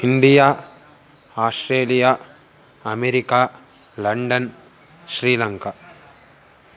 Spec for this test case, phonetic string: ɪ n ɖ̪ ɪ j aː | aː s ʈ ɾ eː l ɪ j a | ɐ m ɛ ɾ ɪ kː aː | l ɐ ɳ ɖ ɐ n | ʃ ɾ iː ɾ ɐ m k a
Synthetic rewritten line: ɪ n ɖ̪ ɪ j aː | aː s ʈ ɾ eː l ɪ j a | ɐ m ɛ ɾ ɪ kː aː | l ɐ ɳ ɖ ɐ n | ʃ ɾ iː l ɐ ŋ k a